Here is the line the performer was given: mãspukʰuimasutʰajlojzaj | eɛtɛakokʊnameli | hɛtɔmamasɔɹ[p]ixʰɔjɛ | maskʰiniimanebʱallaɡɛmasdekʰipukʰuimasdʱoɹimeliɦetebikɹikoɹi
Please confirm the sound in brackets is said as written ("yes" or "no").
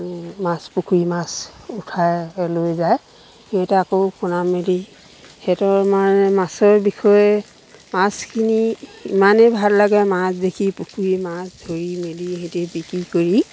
no